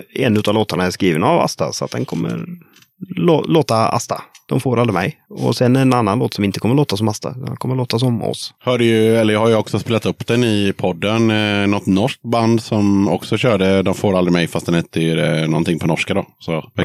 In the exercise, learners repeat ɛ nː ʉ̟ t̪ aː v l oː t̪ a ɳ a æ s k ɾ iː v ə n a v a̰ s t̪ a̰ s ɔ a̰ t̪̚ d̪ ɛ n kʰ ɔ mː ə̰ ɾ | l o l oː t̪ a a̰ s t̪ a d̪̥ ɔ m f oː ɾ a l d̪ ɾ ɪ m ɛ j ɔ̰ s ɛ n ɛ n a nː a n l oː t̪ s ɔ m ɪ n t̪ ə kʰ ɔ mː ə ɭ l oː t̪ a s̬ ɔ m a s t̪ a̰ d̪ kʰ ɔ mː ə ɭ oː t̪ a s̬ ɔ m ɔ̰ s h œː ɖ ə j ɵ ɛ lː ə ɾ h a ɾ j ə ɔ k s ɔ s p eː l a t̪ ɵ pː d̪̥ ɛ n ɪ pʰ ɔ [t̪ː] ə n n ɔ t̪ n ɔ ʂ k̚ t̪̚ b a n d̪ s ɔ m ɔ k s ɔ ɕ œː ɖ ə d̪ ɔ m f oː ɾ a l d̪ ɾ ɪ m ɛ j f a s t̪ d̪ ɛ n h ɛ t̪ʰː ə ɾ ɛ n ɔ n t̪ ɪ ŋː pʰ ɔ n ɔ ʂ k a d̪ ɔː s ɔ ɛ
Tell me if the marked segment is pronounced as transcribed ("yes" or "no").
no